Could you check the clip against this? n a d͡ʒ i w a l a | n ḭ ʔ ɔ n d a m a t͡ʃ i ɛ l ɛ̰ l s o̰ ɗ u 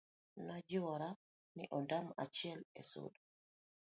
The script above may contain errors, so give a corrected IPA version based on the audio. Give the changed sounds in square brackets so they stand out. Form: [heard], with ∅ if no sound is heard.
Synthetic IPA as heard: n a d͡ʒ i w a [ɾ] a | n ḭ ʔ ɔ n d a m a t͡ʃ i ɛ l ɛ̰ [∅] s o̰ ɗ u